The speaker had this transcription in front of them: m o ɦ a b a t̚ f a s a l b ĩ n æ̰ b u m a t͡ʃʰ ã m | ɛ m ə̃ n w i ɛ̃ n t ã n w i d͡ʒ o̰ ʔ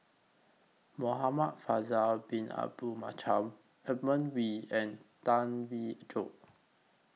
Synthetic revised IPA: m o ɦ a m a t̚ f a z a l b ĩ n a̰ b u m a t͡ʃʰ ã m | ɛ m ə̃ n w i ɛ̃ n t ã n w i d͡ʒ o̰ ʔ